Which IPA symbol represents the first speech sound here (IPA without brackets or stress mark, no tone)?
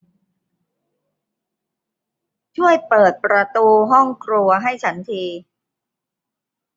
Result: t͡ɕʰ